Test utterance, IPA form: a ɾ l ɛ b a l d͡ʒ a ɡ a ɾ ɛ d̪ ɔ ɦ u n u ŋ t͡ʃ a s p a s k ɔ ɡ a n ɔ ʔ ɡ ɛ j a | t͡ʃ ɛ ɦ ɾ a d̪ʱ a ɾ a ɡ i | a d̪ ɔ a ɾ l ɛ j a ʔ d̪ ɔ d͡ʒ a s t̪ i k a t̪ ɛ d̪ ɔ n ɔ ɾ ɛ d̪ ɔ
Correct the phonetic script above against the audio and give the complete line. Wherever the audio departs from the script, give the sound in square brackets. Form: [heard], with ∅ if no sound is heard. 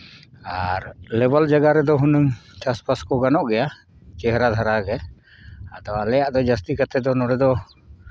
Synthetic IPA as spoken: a ɾ l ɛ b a l d͡ʒ a ɡ a ɾ ɛ d̪ ɔ ɦ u n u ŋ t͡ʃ a s p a s k ɔ ɡ a n ɔ ʔ ɡ ɛ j a | t͡ʃ ɛ ɦ ɾ a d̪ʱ a ɾ a ɡ [ɛ] | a d̪ ɔ a [∅] l ɛ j a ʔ d̪ ɔ d͡ʒ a s t̪ i k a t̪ ɛ d̪ ɔ n ɔ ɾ ɛ d̪ ɔ

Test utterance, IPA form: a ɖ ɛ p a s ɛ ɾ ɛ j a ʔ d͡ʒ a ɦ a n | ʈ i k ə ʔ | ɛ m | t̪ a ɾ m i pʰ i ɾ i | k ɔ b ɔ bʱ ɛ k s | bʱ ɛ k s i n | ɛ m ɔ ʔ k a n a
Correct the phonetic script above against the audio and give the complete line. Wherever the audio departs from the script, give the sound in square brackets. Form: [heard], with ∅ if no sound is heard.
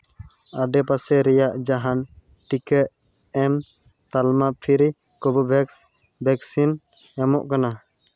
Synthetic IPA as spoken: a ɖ ɛ p a s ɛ ɾ ɛ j a ʔ d͡ʒ a ɦ a n | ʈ i k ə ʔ | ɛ m | t̪ a [l] m [a] pʰ i ɾ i | k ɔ b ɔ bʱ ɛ k s | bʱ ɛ k s i n | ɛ m ɔ ʔ k a n a

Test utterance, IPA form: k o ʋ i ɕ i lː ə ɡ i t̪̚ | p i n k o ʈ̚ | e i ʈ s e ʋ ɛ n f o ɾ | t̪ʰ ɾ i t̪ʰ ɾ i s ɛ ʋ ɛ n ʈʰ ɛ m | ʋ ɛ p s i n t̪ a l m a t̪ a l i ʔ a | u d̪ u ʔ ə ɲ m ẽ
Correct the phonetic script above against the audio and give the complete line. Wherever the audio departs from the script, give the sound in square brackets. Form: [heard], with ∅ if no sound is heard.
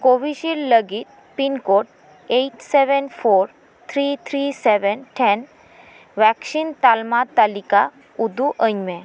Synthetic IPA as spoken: k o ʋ i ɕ i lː ə ɡ i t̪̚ | p i n k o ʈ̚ | e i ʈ s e ʋ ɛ n f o ɾ | t̪ʰ ɾ i t̪ʰ ɾ i s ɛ ʋ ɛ n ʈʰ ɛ [n] | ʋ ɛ [k] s i n t̪ a l m a t̪ a l i [k] a | u d̪ u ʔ ə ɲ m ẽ

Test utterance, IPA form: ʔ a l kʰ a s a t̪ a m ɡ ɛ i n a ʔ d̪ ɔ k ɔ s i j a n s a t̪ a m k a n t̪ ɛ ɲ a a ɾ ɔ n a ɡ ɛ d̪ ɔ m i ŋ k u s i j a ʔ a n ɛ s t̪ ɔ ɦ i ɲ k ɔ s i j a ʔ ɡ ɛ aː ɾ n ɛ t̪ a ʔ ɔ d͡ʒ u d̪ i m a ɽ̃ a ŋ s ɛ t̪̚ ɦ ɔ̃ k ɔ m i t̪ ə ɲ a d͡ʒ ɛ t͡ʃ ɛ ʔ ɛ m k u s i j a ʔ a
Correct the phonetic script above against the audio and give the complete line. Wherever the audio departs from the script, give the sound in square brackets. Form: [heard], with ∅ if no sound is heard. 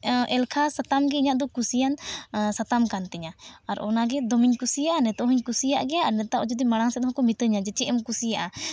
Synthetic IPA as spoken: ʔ [ɛ] l kʰ a s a t̪ a m ɡ ɛ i [ɲ] a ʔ d̪ ɔ k [u] s i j a n s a t̪ a m k a n t̪ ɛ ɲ a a ɾ ɔ n a ɡ ɛ d̪ ɔ m i [ɲ] k u s i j a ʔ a n ɛ [∅] t̪ ɔ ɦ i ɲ k [u] s i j a ʔ ɡ ɛ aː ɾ n ɛ t̪ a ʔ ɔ d͡ʒ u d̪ i m a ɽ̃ a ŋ s ɛ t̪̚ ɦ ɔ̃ k ɔ m i t̪ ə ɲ a d͡ʒ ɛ t͡ʃ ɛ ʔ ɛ m k u s i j a ʔ a

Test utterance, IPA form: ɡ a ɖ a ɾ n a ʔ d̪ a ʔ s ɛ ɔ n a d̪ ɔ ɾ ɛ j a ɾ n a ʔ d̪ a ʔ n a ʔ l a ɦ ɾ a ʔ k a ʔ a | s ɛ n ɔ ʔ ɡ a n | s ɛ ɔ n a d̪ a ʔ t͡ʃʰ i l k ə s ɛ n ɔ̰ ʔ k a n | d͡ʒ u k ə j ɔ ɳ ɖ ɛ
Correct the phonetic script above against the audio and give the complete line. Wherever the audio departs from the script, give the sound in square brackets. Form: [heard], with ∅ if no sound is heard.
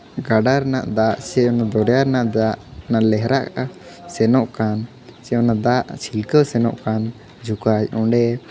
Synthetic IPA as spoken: ɡ a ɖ a ɾ n a ʔ d̪ a ʔ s ɛ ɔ n a d̪ ɔ ɾ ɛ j a ɾ n a ʔ d̪ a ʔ n a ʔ l [ɛ] ɦ ɾ a ʔ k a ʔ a | s ɛ n ɔ ʔ [k] a n | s ɛ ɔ n a d̪ a ʔ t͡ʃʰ i l k ə s ɛ n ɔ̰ ʔ k a n | d͡ʒ u k [a] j ɔ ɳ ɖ ɛ

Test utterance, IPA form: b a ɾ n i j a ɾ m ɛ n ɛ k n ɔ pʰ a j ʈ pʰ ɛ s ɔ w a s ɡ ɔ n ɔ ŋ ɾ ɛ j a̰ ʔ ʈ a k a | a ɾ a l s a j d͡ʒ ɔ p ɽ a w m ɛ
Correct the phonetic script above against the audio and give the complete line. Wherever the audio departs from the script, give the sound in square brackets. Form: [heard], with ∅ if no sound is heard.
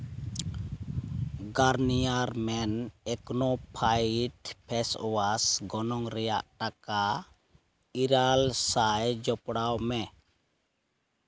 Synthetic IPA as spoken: [ɡ] a ɾ n i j a ɾ m ɛ n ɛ k n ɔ pʰ a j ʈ pʰ ɛ s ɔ w a s ɡ ɔ n ɔ ŋ ɾ ɛ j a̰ ʔ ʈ a k a | [i] ɾ a l s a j d͡ʒ ɔ p ɽ a w m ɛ

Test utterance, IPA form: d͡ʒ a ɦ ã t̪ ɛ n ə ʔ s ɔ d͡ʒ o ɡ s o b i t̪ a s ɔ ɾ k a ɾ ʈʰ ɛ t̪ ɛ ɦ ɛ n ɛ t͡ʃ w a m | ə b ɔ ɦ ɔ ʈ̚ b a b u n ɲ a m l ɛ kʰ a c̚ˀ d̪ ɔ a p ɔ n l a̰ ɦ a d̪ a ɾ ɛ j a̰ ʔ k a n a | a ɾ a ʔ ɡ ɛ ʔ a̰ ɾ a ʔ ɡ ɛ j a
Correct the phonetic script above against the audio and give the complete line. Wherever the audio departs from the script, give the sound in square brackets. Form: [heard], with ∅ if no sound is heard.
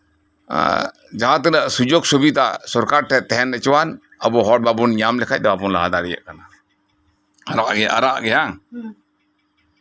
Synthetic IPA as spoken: d͡ʒ a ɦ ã t̪ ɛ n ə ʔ s [u] d͡ʒ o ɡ s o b i t̪ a s ɔ ɾ k a ɾ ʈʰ ɛ t̪ ɛ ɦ ɛ n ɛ t͡ʃ w a [n] | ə b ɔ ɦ ɔ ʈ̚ b a b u n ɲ a m l ɛ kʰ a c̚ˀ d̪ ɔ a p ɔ n l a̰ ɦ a d̪ a ɾ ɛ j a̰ ʔ k a n a | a ɾ a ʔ ɡ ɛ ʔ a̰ ɾ a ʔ ɡ ɛ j a

